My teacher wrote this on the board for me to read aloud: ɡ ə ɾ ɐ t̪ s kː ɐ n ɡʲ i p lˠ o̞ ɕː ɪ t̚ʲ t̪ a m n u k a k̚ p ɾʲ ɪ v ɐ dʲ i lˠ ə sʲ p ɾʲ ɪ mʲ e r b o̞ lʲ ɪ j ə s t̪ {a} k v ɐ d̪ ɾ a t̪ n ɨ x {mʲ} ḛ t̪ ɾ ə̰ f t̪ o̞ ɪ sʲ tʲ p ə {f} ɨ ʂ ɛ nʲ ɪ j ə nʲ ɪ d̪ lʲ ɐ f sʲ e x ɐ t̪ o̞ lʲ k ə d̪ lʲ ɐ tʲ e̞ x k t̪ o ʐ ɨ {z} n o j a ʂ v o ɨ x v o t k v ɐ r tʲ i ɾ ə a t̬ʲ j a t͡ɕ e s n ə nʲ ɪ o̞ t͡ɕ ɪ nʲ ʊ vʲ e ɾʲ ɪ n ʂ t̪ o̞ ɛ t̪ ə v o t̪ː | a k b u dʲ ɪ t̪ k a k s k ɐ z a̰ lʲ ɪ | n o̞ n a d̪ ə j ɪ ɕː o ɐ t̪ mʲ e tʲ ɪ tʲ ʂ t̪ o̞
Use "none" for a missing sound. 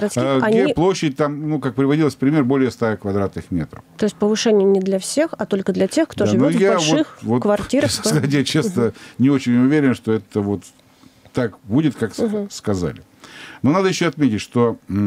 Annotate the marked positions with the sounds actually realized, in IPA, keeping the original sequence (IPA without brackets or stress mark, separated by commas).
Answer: a, mʲ, v, v